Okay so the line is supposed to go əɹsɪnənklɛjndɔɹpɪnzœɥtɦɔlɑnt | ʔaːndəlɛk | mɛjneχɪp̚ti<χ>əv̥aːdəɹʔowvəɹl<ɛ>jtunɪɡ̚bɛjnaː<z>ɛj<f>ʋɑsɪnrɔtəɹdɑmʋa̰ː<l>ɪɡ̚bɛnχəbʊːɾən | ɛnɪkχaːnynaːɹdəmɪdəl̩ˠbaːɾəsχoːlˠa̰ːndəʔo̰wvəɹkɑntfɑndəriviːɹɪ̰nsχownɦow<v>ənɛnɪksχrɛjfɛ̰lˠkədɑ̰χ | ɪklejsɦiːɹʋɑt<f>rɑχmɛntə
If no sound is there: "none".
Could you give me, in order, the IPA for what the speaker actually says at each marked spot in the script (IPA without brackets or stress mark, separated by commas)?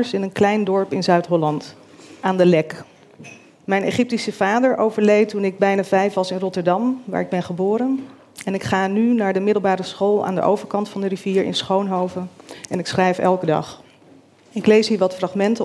s, e, v, f, ɹ, v, f